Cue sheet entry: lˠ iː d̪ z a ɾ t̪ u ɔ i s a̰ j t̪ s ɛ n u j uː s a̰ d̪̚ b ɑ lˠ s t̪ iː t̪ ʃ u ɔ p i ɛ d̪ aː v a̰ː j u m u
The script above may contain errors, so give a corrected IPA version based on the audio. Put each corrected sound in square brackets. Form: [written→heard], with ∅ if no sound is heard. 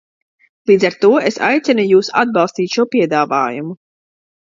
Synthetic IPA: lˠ iː d̪ z a ɾ t̪ u ɔ [i→e] s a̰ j t̪ s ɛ n u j uː s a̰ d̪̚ b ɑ lˠ s t̪ iː t̪ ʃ u ɔ p i ɛ d̪ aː v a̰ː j u m u